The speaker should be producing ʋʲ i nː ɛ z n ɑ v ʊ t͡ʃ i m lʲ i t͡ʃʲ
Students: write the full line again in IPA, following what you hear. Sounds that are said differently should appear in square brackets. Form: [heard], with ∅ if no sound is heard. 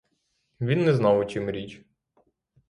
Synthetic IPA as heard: ʋʲ i nː ɛ z n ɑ [w] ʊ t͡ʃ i m [ɾʲ] i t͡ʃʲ